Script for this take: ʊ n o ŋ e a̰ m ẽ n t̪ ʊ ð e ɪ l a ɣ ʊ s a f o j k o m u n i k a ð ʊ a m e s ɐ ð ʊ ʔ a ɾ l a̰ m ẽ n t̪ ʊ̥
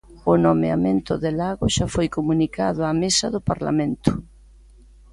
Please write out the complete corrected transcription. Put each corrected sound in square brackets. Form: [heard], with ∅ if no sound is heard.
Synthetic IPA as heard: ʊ n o [m] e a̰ m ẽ n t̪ ʊ ð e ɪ l a ɣ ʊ [ʃ] a f o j k o m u n i k a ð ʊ a m e s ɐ ð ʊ [p] a ɾ l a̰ m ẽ n t̪ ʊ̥